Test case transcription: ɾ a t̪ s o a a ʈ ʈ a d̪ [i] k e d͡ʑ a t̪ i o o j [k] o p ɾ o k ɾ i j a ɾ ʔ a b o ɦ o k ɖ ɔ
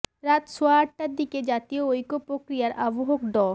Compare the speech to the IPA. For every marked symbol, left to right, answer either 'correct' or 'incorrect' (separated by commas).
correct, correct